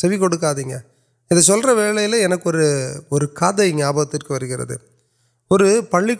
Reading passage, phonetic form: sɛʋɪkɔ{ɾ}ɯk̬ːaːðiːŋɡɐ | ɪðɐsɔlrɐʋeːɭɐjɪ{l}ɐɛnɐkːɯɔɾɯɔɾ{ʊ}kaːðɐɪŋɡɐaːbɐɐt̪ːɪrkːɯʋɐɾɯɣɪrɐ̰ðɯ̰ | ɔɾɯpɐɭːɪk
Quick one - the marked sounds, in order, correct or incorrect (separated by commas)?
incorrect, correct, incorrect